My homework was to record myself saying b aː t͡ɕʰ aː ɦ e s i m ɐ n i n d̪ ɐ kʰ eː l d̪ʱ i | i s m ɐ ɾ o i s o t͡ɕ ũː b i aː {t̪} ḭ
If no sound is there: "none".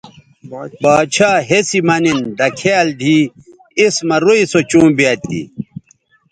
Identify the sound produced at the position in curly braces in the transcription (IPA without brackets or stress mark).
t̪